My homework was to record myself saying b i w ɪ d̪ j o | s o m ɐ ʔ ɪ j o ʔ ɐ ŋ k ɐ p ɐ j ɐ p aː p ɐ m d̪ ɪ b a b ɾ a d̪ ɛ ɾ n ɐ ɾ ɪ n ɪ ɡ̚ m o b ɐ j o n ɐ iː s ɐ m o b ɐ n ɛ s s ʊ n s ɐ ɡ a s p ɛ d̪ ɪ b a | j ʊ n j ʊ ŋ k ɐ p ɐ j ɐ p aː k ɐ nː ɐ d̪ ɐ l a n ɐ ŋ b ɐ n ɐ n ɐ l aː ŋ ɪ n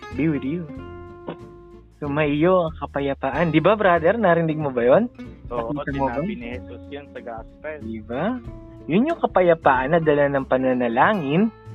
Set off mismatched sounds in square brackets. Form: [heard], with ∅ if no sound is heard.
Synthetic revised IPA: b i w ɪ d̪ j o | s o m ɐ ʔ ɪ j o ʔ ɐ ŋ k ɐ p ɐ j ɐ p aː [ʔ] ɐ [n] d̪ ɪ b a b ɾ a d̪ ɛ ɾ n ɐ ɾ ɪ n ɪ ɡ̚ m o b ɐ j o n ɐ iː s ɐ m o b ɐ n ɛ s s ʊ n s ɐ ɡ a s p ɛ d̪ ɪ b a | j ʊ n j ʊ ŋ k ɐ p ɐ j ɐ p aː [ʔ] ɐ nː ɐ d̪ ɐ l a n ɐ ŋ [p] ɐ n ɐ n ɐ l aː ŋ ɪ n